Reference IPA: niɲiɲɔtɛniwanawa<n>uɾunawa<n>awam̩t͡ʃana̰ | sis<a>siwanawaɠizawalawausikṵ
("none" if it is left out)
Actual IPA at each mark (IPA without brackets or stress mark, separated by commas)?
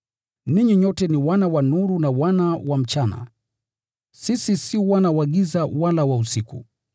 n, n, i